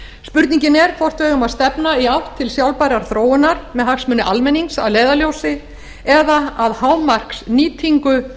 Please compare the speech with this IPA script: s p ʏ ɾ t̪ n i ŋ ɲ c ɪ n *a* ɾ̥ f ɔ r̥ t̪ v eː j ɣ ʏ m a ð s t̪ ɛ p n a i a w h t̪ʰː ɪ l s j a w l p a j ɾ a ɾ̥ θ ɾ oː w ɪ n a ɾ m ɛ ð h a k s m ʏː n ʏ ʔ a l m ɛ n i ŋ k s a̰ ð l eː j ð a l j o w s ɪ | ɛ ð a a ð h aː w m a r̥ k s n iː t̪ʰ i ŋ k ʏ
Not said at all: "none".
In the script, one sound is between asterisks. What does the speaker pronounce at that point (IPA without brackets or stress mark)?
ɛ